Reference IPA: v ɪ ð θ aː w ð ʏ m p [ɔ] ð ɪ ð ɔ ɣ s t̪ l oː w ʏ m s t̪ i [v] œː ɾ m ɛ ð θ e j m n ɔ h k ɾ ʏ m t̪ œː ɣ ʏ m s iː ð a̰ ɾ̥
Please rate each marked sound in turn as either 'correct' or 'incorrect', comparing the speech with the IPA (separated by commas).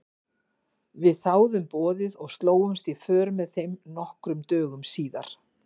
incorrect, incorrect